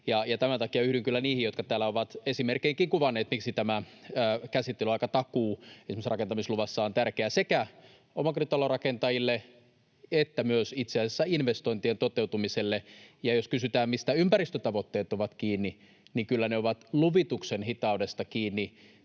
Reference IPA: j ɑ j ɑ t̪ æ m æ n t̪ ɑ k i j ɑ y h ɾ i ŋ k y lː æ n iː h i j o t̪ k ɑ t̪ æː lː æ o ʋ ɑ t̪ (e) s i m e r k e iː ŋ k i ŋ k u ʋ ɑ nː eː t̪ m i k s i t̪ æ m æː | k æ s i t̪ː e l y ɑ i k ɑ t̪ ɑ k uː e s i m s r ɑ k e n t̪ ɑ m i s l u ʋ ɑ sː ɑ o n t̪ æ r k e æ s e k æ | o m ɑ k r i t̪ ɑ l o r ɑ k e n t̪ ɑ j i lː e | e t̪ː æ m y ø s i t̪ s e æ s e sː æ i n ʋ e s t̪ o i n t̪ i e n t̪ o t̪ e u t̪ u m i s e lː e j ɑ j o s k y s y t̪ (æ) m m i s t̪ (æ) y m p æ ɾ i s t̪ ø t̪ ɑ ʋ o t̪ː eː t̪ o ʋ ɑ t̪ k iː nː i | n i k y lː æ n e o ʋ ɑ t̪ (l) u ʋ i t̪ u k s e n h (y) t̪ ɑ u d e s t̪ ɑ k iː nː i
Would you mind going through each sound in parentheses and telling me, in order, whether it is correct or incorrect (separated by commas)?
correct, incorrect, correct, correct, incorrect